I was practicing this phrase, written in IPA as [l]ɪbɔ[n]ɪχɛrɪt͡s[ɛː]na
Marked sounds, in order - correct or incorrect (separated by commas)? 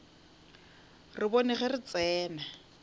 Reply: incorrect, correct, correct